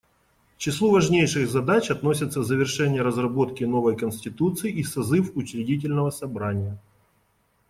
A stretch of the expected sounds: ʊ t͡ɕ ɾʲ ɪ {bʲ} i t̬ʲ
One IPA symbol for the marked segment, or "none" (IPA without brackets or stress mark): dʲ